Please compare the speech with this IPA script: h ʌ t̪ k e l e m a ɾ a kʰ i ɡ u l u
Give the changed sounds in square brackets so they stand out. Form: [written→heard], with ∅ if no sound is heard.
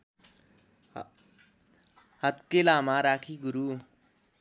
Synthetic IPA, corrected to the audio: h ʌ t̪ k e l [e→a] m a ɾ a kʰ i ɡ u [l→ɾ] u